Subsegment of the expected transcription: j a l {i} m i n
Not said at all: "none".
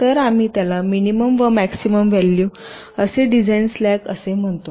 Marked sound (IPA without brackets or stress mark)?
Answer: a